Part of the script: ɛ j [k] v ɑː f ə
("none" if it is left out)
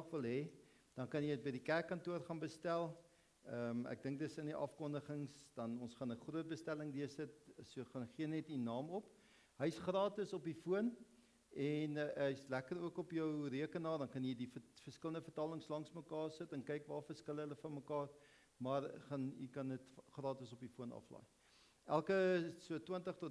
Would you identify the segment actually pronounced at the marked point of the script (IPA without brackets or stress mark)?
k